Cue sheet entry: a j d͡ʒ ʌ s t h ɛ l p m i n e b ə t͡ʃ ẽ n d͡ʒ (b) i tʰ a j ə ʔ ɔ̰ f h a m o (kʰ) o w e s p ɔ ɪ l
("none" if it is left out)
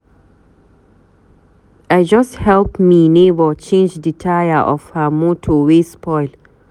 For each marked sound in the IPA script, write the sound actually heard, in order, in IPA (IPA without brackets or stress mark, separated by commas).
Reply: d, tʰ